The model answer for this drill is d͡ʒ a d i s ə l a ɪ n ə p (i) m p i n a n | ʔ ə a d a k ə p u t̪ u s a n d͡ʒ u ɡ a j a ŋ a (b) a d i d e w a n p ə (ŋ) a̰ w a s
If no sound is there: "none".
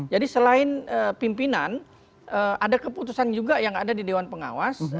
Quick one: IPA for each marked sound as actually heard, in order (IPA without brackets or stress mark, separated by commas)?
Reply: i, d, ŋ